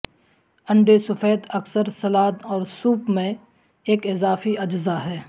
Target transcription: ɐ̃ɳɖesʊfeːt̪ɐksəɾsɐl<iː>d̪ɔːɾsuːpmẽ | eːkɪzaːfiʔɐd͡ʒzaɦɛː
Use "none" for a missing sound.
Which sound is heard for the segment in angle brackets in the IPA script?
aː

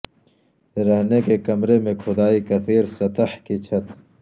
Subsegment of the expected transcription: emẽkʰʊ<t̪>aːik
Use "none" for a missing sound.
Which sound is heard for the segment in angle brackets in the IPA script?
d̪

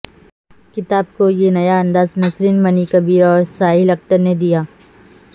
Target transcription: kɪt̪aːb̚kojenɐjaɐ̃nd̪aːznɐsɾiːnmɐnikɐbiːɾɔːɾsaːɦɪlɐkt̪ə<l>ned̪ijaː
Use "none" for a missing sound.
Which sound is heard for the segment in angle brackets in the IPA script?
ɾ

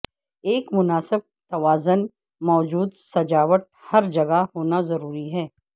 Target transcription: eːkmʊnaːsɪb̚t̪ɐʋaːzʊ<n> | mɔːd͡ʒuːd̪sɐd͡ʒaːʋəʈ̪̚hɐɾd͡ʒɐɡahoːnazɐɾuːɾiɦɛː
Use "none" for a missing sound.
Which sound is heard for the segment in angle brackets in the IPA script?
n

